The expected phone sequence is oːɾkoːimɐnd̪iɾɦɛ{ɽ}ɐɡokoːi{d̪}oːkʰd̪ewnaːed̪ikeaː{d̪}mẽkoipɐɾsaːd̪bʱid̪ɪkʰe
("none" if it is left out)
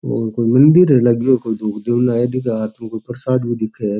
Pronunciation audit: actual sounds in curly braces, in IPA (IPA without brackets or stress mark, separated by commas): l, d̪, t̪